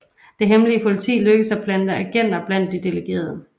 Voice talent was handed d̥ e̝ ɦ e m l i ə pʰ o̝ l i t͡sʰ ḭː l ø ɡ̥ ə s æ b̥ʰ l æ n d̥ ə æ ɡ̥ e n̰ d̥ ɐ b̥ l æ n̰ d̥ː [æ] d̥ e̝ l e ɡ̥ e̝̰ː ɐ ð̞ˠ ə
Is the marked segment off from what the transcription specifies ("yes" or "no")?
yes